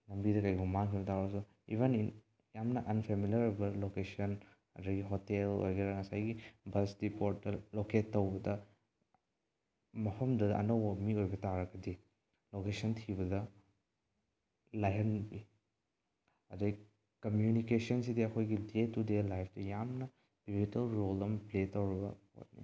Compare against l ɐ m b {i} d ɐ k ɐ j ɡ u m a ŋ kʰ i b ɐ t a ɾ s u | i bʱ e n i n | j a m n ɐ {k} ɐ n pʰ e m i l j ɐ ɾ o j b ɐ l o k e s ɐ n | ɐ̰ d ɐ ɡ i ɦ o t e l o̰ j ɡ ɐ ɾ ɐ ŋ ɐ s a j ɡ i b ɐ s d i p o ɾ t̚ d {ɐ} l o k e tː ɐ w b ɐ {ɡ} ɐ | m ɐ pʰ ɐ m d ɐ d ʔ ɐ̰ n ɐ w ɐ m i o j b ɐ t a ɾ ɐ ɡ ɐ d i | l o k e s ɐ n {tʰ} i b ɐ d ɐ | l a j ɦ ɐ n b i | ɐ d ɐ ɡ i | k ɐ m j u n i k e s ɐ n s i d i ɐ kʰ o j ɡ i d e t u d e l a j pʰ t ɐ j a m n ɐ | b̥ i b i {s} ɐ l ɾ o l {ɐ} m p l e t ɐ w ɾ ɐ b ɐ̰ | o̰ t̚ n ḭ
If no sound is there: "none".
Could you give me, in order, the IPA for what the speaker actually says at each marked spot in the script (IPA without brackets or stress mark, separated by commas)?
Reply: i, ʔ, ɐ, d, tʰ, t, ɐ